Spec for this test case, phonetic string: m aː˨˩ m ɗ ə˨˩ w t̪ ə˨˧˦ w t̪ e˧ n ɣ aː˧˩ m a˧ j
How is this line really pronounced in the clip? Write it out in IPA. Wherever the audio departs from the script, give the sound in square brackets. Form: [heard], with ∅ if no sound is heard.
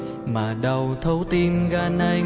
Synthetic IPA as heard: m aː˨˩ [∅] ɗ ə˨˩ w [t̪ʰ] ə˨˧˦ w t̪ [i˧] n ɣ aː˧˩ [n] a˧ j